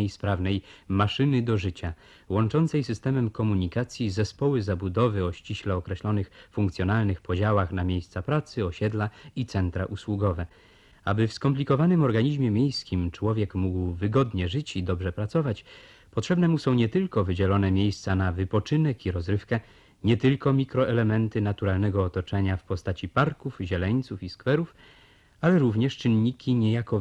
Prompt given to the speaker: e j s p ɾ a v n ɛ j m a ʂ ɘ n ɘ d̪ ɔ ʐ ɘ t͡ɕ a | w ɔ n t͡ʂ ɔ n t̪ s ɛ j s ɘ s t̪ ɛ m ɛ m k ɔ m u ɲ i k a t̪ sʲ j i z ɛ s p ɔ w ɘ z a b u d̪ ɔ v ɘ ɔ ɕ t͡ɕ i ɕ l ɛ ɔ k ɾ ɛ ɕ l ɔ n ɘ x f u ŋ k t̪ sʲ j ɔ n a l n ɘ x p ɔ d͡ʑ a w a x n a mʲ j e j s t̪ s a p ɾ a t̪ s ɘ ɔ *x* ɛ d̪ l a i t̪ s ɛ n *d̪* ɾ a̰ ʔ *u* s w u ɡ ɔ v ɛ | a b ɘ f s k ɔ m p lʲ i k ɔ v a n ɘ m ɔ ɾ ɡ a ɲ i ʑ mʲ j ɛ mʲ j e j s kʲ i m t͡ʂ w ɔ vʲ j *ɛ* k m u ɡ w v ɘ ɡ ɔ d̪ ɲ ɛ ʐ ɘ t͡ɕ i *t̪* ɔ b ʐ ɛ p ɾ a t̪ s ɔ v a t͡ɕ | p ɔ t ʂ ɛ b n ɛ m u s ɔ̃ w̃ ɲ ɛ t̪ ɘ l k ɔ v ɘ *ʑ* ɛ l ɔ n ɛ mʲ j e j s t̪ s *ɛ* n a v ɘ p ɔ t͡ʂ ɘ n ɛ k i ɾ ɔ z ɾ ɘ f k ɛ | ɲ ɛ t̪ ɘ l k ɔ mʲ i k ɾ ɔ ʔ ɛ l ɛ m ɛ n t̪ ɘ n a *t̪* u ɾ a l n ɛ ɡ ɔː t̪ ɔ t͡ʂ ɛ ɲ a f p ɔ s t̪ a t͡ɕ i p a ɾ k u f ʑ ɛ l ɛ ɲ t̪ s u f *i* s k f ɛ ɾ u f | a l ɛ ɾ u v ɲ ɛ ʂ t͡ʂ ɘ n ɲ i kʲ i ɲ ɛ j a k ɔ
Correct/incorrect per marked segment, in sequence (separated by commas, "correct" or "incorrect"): incorrect, incorrect, correct, correct, incorrect, incorrect, incorrect, correct, correct